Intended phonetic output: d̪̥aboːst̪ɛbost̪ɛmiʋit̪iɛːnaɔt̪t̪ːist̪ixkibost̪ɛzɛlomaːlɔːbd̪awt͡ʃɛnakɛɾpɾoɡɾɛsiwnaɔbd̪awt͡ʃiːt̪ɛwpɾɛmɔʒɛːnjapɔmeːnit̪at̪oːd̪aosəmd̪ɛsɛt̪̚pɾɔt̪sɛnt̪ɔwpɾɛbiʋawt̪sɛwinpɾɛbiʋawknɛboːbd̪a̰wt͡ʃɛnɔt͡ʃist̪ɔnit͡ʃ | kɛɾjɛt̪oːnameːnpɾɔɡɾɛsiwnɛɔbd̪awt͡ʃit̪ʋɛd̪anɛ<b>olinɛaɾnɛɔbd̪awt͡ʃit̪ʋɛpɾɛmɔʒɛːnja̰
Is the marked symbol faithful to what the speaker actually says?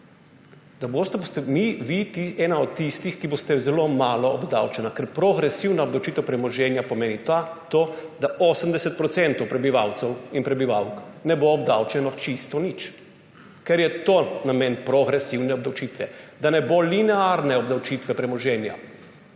yes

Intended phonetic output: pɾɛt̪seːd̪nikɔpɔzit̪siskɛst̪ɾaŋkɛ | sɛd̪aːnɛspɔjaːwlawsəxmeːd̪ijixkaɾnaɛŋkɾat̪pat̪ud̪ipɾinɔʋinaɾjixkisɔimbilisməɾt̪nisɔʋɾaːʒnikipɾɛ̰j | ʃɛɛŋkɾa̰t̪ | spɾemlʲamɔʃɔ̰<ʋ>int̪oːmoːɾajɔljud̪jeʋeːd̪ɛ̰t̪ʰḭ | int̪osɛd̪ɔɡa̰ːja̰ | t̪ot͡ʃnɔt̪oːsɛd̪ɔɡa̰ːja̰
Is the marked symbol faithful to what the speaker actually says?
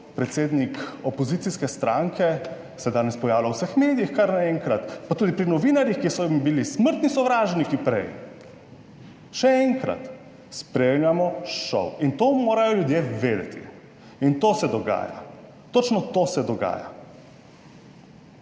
no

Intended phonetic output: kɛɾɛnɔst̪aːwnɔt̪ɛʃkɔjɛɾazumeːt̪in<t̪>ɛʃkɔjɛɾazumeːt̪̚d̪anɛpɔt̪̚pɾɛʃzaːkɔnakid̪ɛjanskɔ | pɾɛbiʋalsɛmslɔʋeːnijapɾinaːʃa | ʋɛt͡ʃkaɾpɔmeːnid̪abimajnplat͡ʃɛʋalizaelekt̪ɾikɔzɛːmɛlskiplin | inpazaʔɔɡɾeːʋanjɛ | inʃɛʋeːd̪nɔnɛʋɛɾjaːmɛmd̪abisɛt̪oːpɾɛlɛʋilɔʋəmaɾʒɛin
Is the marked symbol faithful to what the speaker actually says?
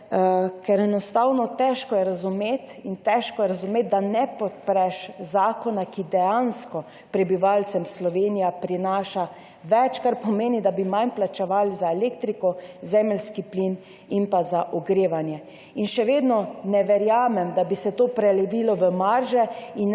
yes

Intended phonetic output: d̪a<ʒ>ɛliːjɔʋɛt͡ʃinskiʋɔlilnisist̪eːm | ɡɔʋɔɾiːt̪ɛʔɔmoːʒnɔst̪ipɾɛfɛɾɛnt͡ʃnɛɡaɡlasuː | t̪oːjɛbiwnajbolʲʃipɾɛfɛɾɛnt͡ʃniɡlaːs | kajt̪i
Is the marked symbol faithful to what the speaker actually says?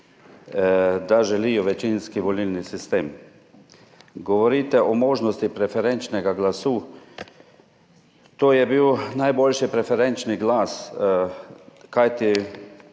yes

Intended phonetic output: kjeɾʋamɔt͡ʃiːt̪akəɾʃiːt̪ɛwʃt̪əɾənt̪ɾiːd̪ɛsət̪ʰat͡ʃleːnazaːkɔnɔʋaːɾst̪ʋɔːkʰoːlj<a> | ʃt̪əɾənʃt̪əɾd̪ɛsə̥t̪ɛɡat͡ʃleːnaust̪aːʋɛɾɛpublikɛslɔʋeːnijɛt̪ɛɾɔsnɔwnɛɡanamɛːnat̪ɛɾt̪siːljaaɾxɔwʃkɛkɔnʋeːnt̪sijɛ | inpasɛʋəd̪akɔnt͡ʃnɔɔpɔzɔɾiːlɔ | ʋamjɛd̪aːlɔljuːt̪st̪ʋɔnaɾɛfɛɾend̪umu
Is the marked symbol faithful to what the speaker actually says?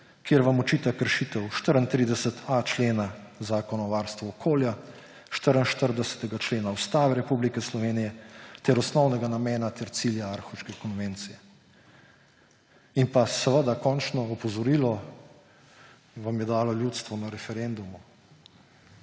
yes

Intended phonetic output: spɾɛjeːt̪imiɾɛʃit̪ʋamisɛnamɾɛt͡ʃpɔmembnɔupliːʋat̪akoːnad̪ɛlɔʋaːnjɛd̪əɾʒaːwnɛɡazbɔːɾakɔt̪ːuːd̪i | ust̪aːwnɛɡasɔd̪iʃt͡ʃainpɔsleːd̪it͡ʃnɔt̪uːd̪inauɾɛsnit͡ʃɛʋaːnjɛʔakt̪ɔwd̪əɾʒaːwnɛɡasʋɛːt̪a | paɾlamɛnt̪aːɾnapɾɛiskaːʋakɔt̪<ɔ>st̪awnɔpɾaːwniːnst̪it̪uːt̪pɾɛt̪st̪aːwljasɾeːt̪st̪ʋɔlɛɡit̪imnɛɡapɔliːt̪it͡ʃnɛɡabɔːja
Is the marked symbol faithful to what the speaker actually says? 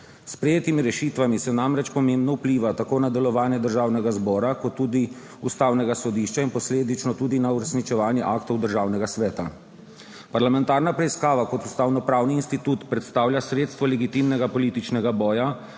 no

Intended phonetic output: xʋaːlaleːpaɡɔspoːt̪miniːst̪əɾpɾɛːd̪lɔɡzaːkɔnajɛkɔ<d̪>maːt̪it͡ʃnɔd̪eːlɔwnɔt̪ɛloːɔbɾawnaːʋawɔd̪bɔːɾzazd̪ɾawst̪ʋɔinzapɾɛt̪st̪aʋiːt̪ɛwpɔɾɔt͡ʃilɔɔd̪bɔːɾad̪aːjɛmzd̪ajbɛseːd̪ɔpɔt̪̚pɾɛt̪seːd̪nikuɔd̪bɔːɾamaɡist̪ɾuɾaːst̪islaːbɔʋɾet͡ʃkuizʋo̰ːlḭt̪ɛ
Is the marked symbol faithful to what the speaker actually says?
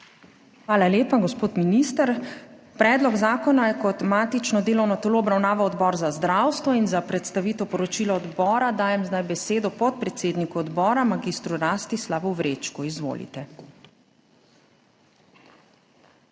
no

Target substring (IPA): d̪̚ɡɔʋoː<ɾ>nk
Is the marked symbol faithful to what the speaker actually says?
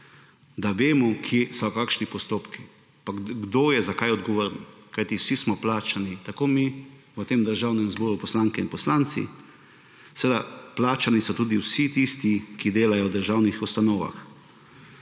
yes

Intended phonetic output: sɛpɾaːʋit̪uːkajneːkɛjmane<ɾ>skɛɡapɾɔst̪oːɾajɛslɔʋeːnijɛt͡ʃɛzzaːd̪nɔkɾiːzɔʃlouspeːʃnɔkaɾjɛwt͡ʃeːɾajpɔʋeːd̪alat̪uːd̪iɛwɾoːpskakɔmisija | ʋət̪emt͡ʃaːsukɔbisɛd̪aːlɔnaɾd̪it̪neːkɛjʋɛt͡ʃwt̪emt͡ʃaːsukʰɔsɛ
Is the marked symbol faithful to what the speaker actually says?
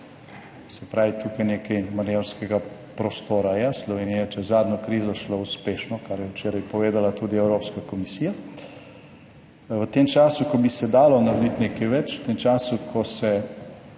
yes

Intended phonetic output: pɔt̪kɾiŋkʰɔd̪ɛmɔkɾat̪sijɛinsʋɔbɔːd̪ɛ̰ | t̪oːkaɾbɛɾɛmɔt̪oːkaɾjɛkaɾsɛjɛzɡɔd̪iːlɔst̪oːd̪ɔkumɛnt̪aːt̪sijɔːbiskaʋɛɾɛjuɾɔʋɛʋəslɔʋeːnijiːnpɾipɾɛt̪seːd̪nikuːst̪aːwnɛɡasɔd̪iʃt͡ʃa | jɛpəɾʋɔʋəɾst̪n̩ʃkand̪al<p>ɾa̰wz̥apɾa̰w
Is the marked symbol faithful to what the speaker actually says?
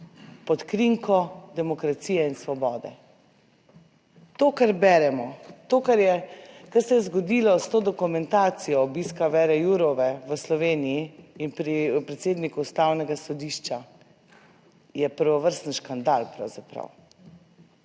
yes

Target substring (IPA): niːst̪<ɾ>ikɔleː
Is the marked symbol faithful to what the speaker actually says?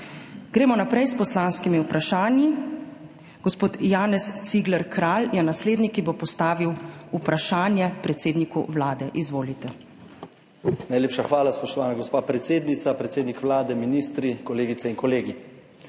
yes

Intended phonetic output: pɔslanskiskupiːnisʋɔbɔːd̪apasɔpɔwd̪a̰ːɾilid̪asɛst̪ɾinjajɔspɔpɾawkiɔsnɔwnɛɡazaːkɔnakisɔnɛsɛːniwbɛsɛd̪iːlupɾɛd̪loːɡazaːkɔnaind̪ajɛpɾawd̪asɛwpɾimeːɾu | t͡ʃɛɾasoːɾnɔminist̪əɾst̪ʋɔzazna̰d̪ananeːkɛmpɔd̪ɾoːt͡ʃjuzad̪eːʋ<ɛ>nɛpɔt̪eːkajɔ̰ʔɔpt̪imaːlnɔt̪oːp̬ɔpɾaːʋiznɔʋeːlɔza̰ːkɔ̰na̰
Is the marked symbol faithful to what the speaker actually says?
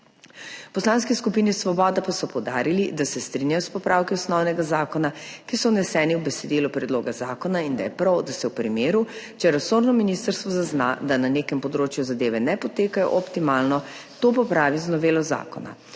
yes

